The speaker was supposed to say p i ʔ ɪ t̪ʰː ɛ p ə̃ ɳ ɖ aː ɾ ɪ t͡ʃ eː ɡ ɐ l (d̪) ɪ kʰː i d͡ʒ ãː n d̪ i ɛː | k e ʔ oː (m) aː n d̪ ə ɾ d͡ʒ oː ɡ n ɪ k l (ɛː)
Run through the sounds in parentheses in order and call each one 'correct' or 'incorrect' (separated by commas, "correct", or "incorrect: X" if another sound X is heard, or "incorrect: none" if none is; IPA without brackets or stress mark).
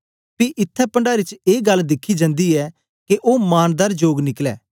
correct, correct, correct